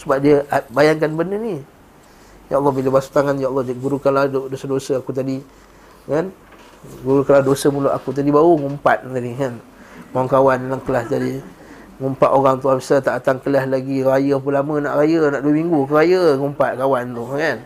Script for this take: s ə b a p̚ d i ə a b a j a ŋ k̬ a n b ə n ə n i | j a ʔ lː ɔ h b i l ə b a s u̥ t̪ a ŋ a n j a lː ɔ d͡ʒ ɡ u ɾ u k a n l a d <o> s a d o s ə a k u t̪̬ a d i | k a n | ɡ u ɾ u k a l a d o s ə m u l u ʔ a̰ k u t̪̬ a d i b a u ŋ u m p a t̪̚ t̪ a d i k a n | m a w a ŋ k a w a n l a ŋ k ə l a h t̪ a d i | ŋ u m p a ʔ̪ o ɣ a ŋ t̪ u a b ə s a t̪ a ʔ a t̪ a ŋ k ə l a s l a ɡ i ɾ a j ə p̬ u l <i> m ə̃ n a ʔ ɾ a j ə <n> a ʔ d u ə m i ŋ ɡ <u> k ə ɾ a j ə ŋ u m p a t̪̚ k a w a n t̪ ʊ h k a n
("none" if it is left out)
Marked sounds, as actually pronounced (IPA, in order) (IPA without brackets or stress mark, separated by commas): o, a, n, u